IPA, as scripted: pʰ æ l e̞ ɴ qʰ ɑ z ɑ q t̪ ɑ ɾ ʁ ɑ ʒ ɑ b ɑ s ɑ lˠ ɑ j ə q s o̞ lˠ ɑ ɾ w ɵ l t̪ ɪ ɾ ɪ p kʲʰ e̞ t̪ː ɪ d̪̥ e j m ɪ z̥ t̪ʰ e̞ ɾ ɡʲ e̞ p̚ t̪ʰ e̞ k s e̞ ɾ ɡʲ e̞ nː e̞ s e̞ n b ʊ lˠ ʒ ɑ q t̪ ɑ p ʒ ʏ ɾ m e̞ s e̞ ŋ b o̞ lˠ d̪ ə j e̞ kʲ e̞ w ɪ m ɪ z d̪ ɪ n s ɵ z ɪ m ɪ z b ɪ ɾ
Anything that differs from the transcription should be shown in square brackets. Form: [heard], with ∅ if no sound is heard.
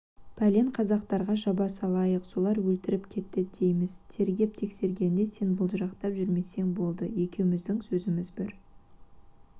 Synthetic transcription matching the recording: pʰ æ l e̞ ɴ qʰ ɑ z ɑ q t̪ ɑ ɾ ʁ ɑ ʒ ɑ b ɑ s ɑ lˠ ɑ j ə q s o̞ lˠ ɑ ɾ w ɵ l t̪ ɪ ɾ ɪ p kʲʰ e̞ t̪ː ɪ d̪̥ e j m ɪ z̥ t̪ʰ e̞ ɾ ɡʲ e̞ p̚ t̪ʰ e̞ k s e̞ ɾ ɡʲ e̞ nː e̞ s e̞ n b ʊ lˠ ʒ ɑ q t̪ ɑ p ʒ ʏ ɾ m e̞ s e̞ ŋ b o̞ lˠ d̪ ə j e̞ kʲ e̞ w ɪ m ɪ z d̪ ɪ [ŋ] s ɵ z ɪ m ɪ z b ɪ ɾ